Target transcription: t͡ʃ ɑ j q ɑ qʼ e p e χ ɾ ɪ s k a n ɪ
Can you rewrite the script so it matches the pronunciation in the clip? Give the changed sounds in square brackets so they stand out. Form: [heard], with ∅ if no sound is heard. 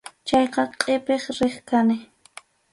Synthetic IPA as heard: t͡ʃ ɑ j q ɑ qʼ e p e χ ɾ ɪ [χ] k a n ɪ